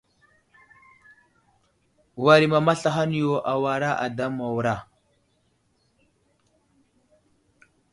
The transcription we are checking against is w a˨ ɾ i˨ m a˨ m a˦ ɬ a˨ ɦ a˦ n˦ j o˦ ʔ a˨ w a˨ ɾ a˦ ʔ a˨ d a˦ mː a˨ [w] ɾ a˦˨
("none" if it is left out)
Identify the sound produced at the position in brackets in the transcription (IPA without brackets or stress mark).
w